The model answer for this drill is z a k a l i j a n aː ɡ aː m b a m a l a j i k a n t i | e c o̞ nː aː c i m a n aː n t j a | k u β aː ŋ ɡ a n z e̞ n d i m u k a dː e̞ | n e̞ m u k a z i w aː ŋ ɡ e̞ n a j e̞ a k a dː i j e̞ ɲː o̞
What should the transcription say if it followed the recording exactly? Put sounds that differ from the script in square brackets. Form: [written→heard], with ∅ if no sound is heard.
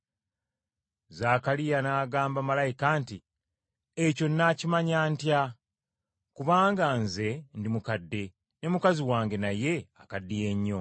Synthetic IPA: z a k a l i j a n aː ɡ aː m b a m a l a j i k a n t i | e c o̞ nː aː c i m a [n→ɲ] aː n t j a | k u β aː ŋ ɡ a n z e̞ n d i m u k a dː e̞ | n e̞ m u k a z i w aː ŋ ɡ e̞ n a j e̞ a k a dː i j e̞ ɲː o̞